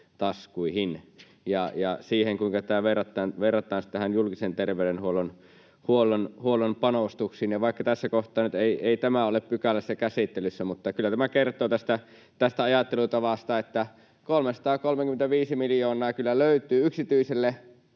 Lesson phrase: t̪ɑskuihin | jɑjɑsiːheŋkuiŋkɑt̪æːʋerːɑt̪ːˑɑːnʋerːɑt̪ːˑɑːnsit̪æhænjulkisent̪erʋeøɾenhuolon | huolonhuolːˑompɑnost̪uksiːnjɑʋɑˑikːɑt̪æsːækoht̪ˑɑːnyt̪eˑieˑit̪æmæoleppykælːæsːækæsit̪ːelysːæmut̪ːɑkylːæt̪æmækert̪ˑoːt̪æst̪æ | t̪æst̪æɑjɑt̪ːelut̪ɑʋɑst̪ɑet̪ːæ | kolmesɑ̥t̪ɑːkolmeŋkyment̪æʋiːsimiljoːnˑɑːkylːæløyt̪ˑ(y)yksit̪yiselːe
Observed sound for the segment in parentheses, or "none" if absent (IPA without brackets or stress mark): yː